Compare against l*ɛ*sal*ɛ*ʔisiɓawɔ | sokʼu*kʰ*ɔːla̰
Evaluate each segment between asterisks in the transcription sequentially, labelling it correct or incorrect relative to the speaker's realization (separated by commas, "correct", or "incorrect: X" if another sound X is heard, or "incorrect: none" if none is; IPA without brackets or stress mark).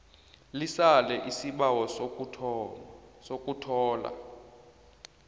incorrect: i, correct, incorrect: tʰ